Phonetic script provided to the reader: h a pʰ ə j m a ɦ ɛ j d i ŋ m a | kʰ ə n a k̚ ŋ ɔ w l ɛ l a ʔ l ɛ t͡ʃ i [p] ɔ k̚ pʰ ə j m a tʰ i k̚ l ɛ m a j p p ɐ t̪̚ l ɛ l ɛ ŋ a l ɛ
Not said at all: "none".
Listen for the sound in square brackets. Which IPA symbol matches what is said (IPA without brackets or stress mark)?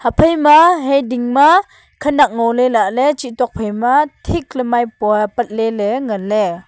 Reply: t